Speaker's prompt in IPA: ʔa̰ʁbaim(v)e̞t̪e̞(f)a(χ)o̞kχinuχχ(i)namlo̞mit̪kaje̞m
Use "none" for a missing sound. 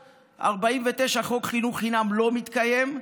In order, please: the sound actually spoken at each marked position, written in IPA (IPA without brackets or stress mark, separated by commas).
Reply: v, ʃ, χ, i